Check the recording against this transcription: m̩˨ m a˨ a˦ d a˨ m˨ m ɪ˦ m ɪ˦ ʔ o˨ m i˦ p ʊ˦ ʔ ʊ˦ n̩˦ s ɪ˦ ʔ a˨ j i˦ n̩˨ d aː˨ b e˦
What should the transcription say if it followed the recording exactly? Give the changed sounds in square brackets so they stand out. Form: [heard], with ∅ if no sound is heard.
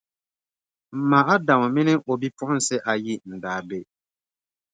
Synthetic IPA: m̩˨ m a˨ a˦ d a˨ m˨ m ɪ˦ [n] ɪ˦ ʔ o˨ [b] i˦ p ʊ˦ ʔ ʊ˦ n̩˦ s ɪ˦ ʔ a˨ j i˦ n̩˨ d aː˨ b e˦